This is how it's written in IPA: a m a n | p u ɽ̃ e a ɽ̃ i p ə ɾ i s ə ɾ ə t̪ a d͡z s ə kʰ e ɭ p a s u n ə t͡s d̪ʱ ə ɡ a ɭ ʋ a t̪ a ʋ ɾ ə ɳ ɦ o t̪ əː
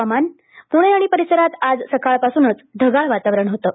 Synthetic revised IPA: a m a n | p u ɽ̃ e a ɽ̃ i p ə ɾ i s ə ɾ a t̪ a d͡z s ə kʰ a ɭ p a s u n ə t͡s d̪ʱ ə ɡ a ɭ ʋ a t̪ a ʋ ɾ ə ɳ ɦ o t̪ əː